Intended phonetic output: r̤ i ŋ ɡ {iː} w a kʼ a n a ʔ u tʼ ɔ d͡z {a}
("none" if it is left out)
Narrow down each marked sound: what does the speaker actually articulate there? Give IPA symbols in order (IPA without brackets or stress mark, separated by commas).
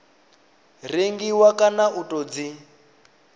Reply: i, i